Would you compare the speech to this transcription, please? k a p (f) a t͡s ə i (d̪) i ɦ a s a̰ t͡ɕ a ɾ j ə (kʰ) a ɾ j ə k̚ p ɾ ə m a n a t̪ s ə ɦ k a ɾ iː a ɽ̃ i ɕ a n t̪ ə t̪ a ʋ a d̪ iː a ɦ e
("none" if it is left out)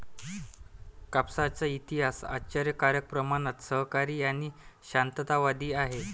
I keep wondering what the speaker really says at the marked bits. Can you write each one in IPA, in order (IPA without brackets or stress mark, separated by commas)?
s, t̪, k